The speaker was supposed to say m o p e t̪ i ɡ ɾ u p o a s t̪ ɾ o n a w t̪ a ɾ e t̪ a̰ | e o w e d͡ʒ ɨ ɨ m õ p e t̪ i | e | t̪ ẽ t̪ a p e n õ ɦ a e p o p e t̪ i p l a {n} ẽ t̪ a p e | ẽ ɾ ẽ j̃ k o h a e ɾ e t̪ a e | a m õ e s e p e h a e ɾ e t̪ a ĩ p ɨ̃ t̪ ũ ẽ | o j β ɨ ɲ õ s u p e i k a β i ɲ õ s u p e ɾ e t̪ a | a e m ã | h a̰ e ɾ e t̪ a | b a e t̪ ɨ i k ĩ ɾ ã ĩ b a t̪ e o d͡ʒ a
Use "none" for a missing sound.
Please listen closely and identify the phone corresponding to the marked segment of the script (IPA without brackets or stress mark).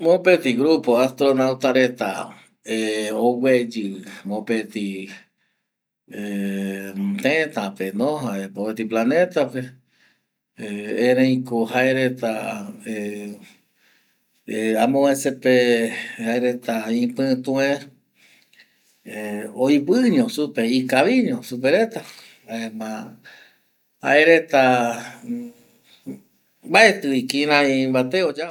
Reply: n